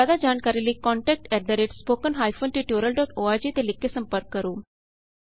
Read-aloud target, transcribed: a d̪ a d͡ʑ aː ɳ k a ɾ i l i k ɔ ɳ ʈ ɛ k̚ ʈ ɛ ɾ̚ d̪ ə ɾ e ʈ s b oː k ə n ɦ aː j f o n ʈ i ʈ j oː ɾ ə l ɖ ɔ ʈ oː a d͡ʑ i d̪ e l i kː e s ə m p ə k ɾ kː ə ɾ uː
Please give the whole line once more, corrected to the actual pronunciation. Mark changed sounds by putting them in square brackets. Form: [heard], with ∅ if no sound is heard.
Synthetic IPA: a d̪ a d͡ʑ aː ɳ k a ɾ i l i k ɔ ɳ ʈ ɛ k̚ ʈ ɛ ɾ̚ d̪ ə ɾ e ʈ s [p] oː k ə n ɦ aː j f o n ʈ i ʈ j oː ɾ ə l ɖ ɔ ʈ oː a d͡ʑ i [t̪] e l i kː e s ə m p ə [∅] ɾ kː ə ɾ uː